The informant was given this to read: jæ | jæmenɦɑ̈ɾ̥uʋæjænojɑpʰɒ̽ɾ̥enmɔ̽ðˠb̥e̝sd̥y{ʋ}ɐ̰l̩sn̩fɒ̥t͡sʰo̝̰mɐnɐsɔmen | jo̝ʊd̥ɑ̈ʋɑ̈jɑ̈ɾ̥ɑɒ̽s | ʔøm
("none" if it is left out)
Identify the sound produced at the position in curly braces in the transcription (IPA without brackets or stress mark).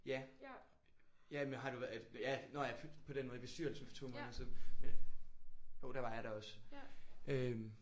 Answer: none